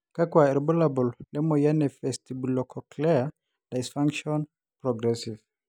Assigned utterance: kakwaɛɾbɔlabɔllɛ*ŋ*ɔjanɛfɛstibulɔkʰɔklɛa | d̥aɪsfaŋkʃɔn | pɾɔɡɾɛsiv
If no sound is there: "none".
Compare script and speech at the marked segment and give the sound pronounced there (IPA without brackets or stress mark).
m